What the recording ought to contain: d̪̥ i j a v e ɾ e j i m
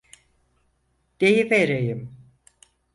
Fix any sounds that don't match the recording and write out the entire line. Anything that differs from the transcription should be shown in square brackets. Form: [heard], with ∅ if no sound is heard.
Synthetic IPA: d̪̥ [e] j [i] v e ɾ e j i m